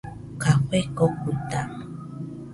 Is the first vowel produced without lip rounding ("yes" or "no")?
yes